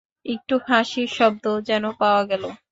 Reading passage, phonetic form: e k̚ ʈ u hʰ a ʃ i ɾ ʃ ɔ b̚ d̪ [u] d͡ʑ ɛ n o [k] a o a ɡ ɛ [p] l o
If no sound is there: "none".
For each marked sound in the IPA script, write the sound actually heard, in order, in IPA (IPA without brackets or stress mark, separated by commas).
o, p, none